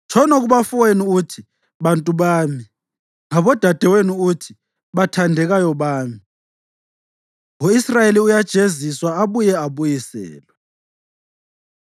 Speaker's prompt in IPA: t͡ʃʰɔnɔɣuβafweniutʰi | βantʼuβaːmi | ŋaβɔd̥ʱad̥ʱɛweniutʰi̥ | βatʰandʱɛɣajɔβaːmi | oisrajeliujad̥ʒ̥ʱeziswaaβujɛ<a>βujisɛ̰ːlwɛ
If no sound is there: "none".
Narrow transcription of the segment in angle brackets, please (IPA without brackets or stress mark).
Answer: a